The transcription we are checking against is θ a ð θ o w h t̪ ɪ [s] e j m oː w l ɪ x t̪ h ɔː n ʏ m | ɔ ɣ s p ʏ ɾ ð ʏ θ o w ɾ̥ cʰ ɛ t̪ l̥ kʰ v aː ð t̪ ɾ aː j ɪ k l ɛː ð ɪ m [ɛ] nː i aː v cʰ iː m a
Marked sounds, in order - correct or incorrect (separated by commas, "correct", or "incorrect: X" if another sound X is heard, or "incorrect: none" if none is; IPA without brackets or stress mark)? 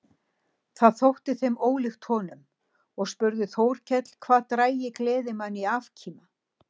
incorrect: θ, incorrect: a